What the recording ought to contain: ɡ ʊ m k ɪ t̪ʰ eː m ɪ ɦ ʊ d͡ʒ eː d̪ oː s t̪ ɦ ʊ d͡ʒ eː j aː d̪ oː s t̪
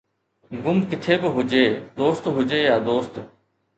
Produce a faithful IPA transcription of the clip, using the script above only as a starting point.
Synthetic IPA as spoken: ɡ ʊ m k ɪ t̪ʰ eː b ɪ ɦ ʊ d͡ʒ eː d̪ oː s t̪ ɦ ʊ d͡ʒ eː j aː d̪ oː s t̪